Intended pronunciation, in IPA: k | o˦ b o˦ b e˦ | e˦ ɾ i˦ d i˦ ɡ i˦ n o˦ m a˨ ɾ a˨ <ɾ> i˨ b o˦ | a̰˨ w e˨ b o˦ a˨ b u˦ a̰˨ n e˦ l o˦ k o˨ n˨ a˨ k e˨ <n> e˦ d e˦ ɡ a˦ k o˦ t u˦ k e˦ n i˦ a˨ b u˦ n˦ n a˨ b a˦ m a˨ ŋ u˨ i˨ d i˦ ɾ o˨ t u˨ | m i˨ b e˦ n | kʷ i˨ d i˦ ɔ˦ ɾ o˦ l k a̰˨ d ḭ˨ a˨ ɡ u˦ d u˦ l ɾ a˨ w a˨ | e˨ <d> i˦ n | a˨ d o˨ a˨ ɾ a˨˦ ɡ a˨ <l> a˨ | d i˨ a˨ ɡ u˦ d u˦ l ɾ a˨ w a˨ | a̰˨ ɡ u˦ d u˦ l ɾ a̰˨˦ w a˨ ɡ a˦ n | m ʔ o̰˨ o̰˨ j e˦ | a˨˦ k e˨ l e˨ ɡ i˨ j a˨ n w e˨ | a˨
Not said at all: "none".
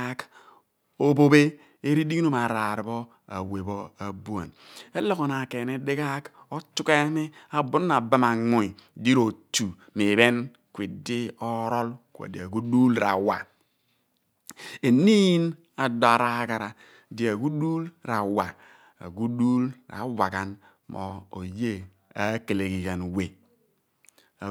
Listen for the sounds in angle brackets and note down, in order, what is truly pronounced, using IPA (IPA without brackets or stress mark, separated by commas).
ɾ, n, n, ɾ